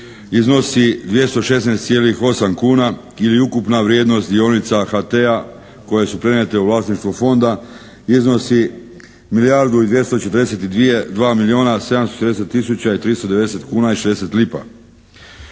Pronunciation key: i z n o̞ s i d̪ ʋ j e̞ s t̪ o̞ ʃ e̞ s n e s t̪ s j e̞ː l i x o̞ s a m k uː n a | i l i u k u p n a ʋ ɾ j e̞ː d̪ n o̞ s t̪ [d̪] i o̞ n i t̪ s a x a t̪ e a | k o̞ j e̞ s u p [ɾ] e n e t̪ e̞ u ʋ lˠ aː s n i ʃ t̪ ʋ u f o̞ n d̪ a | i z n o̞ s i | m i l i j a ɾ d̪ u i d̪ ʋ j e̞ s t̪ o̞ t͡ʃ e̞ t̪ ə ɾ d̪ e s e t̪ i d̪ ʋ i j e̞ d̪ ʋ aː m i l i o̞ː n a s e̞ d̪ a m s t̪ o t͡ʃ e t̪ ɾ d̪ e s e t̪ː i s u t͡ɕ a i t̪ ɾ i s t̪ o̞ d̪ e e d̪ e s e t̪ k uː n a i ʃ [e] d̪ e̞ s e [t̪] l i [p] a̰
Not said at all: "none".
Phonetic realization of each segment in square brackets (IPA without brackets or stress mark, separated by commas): d̪, ɾ, e, t̪, p